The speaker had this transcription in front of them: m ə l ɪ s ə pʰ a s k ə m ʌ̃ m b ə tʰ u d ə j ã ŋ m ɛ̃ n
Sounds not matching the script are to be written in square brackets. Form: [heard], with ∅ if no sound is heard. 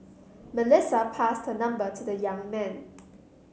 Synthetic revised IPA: m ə l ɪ s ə pʰ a s [t] ə [n] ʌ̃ m b ə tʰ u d ə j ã ŋ m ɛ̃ n